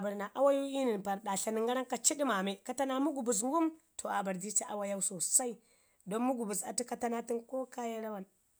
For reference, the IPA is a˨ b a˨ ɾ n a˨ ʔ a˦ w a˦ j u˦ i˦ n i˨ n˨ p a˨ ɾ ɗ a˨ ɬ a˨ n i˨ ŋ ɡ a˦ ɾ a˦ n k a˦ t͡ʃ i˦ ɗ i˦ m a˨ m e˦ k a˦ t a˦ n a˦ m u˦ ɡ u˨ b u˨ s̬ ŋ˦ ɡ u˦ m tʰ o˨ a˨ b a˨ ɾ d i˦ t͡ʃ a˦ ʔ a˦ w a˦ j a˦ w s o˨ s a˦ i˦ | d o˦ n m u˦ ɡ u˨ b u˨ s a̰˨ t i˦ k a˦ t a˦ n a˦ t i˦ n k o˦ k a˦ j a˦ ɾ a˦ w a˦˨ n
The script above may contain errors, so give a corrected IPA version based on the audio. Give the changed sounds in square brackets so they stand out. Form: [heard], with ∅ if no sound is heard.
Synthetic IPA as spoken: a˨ b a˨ ɾ n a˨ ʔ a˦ w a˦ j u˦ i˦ n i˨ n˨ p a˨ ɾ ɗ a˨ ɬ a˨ n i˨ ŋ ɡ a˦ ɾ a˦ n k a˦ t͡ʃ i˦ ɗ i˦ m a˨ m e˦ k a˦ t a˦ n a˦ m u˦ ɡ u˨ b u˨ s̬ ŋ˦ ɡ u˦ m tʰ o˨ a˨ b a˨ ɾ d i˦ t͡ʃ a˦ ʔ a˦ w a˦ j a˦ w s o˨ s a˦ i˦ | d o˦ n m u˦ ɡ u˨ b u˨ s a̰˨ t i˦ k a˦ t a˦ n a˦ t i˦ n k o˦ k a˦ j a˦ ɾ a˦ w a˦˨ n

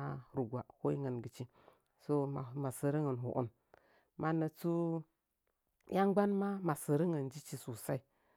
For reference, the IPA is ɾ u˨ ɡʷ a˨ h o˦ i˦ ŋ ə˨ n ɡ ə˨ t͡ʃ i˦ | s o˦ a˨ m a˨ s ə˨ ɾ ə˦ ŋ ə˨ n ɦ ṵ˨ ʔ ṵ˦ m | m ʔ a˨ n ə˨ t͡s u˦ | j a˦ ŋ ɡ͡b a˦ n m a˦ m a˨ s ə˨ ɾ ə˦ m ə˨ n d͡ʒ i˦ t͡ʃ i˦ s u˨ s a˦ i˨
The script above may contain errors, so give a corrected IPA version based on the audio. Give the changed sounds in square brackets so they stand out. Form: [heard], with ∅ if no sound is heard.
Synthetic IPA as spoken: ɾ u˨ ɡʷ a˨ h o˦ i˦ ŋ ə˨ n ɡ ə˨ t͡ʃ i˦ | s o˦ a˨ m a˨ s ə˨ ɾ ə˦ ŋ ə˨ n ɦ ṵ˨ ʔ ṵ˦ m | m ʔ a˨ n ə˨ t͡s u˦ | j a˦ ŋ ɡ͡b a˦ n m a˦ m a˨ s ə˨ ɾ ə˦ [ŋ] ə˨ n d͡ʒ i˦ t͡ʃ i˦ s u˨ s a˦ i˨

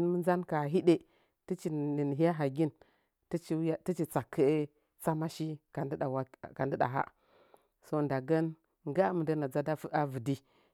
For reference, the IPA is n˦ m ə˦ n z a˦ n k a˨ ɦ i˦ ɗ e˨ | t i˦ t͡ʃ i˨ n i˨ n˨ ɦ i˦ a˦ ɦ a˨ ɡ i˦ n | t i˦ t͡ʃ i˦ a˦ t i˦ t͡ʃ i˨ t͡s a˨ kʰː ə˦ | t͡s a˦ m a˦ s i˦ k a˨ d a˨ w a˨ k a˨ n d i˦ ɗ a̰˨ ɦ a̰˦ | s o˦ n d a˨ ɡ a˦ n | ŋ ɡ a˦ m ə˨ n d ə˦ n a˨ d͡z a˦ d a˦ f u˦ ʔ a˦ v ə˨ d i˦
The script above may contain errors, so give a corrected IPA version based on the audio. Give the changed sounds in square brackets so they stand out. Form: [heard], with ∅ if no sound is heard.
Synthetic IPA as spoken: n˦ m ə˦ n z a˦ n k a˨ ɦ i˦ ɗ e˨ | t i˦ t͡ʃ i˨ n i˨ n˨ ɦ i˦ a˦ ɦ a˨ ɡ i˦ n | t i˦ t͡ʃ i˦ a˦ t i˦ t͡ʃ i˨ t͡s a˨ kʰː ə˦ | t͡s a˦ m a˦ [ʃ] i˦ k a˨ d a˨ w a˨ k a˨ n d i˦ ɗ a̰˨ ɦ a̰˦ | s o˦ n d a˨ ɡ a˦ n | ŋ ɡ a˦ m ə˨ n d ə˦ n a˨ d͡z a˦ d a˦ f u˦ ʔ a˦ v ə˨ d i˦

